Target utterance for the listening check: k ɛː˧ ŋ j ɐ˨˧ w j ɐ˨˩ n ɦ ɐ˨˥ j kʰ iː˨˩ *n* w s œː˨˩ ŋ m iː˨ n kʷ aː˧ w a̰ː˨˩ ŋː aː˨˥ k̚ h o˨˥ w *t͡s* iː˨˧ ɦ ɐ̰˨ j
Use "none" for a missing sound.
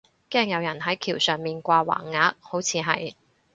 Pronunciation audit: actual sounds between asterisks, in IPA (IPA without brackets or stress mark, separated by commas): none, t͡sʰ